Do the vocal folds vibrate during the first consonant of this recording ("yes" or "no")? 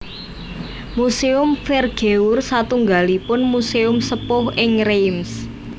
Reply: yes